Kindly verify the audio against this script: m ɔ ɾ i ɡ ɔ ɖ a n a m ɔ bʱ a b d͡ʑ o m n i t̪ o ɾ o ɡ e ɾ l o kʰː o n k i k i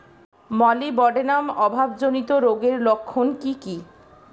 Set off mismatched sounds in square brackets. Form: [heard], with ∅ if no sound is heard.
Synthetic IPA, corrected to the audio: m ɔ [l] i [b] ɔ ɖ [e] n a m ɔ bʱ a b d͡ʑ o [∅] n i t̪ o ɾ o ɡ e ɾ l o kʰː o n k i k i